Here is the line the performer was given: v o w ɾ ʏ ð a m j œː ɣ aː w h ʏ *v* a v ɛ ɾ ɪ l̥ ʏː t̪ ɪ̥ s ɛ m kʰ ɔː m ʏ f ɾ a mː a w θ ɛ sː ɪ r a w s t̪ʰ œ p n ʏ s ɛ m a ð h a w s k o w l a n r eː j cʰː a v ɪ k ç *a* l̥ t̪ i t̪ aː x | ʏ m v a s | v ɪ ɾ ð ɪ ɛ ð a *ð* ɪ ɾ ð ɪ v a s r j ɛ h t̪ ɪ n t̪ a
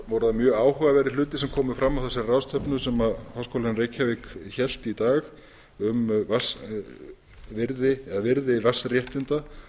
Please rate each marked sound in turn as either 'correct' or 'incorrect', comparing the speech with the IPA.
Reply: incorrect: ɣ, incorrect: ɛ, incorrect: v

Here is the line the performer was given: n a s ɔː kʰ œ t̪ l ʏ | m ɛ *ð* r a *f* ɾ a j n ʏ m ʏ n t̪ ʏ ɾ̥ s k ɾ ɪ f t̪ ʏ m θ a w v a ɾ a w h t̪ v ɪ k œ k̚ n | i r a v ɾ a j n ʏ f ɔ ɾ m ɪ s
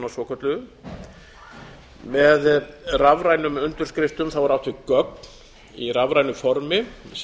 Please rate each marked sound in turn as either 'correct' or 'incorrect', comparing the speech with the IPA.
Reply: correct, incorrect: v

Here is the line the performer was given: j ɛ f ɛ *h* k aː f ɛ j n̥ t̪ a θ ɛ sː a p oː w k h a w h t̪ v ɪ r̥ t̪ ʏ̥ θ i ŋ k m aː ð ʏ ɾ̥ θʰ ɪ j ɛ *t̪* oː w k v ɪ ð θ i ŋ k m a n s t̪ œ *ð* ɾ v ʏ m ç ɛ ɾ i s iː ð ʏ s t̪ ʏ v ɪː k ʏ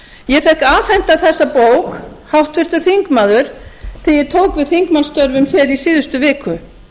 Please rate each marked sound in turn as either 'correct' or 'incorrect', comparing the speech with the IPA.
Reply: correct, incorrect: t̪ʰ, incorrect: none

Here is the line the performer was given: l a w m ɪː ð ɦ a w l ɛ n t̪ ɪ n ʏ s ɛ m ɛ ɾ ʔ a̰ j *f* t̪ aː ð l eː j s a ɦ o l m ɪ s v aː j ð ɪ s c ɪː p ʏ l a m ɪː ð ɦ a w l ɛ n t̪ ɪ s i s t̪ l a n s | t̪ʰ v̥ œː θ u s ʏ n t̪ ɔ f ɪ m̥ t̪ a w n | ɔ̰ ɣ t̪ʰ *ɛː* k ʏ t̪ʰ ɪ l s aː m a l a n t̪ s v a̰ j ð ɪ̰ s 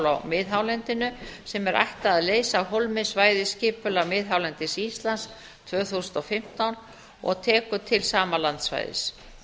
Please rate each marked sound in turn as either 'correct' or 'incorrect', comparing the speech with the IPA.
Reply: incorrect: h, correct

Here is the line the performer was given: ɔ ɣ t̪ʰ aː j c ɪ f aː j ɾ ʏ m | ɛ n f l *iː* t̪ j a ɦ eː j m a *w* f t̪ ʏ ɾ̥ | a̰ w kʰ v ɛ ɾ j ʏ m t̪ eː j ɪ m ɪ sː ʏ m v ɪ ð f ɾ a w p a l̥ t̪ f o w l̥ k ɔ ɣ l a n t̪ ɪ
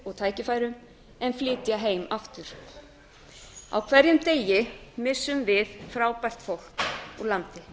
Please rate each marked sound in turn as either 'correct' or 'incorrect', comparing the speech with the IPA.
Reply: incorrect: ɪː, incorrect: none

